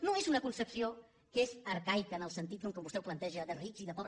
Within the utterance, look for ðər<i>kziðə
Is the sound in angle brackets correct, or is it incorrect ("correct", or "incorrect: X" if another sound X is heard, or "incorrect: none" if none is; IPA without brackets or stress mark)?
correct